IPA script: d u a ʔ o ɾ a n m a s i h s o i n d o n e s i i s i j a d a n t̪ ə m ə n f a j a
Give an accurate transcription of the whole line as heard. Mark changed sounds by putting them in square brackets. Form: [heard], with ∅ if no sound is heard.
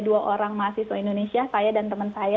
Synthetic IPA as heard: d u a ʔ o ɾ a [ŋ] m a s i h s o i n d o n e s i [a] s [a] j a d a n t̪ ə m ə n [s] a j a